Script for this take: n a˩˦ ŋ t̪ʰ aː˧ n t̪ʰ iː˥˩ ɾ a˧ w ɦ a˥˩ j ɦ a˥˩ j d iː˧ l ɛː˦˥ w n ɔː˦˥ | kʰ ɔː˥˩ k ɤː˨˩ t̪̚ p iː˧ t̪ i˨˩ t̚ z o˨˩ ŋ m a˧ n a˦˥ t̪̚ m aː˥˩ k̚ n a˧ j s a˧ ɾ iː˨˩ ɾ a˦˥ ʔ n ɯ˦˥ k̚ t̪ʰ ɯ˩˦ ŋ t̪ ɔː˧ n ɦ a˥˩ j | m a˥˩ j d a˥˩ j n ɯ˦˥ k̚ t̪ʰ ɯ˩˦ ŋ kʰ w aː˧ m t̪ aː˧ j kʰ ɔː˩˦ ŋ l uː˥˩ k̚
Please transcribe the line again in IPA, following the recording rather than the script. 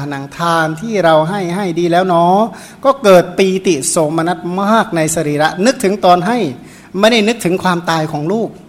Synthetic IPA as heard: n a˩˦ ŋ t̪ʰ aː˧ n t̪ʰ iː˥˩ ɾ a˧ w ɦ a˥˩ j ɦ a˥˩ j d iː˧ l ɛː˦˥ w n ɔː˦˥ | k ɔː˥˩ k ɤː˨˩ t̪̚ p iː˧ t̪ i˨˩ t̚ s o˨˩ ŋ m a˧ n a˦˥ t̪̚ m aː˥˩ k̚ n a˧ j s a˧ ɾ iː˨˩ ɾ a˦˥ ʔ n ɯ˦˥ k̚ t̪ʰ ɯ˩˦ ŋ t̪ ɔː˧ n ɦ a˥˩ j | m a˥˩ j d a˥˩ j n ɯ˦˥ k̚ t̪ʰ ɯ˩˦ ŋ kʰ w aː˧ m t̪ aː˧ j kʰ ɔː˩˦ ŋ l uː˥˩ k̚